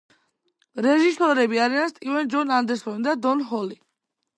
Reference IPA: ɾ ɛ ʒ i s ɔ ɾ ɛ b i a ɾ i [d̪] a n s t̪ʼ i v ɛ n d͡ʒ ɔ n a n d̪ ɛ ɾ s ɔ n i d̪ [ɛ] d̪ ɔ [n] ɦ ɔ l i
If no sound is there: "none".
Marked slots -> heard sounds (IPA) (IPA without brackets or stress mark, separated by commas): none, a, n